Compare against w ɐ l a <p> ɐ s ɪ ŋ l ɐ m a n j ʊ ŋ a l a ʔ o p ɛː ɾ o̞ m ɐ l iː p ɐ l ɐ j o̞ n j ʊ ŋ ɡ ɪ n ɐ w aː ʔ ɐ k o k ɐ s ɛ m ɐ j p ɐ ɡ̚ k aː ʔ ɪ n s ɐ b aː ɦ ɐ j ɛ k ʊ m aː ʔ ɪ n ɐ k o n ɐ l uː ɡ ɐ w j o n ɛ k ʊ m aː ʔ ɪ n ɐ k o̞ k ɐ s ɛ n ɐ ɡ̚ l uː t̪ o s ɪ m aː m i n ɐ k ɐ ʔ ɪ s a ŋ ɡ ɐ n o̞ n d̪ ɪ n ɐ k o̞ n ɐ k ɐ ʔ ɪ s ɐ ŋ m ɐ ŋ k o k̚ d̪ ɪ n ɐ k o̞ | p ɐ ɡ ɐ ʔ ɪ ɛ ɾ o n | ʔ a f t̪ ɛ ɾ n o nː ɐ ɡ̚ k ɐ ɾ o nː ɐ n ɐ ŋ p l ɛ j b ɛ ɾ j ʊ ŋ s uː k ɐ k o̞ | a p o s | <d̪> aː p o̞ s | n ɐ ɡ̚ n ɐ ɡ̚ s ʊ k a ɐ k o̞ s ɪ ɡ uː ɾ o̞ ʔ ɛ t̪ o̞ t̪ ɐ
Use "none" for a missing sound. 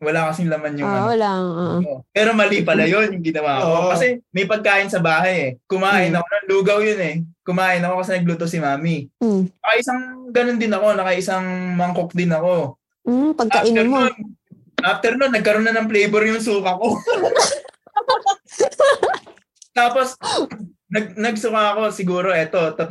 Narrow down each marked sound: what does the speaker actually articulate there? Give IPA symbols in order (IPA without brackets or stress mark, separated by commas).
k, t̪